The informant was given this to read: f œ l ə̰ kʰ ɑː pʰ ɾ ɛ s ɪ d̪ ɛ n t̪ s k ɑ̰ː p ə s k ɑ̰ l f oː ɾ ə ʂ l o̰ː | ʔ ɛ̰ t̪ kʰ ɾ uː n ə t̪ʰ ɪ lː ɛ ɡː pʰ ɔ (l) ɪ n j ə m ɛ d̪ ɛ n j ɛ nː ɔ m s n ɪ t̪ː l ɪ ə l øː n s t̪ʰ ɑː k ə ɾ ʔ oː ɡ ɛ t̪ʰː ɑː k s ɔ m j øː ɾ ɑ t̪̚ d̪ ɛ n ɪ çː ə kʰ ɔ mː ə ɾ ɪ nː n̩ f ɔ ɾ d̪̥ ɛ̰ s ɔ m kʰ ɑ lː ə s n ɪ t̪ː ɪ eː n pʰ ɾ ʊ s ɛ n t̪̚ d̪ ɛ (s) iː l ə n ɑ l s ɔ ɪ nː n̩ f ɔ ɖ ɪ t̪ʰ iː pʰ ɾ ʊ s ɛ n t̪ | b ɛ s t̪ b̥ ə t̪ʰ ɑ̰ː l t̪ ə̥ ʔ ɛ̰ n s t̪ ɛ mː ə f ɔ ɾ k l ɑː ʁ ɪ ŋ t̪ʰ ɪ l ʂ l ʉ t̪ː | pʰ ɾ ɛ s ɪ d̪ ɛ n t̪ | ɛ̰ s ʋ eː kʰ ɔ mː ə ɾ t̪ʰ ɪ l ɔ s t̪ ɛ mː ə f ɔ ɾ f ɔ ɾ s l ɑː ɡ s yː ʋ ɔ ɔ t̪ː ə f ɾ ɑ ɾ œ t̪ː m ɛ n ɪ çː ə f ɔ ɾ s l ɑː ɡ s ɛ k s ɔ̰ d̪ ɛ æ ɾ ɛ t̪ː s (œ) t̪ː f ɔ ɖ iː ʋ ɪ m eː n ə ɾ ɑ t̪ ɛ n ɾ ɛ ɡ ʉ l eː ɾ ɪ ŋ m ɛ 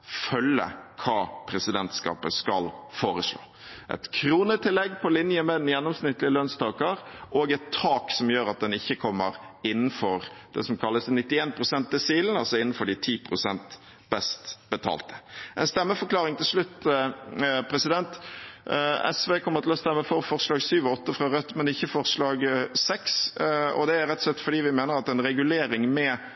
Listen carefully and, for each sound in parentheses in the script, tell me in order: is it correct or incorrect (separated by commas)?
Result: correct, correct, incorrect